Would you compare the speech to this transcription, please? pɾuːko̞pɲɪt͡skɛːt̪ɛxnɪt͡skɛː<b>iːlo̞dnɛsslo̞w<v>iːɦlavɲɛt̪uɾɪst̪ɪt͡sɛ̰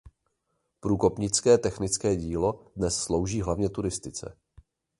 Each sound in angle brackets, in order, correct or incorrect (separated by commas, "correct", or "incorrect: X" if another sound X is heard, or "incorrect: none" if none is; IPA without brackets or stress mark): incorrect: ɟ, incorrect: ʒ